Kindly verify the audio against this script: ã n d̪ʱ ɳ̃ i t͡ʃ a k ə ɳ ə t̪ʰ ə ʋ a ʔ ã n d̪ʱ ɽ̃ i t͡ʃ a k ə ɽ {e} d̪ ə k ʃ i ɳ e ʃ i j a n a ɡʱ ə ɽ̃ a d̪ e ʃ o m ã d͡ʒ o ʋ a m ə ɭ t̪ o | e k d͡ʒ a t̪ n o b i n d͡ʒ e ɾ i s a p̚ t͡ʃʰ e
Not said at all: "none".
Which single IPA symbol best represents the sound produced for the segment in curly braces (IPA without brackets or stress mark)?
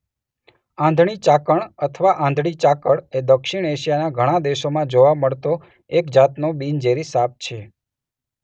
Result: e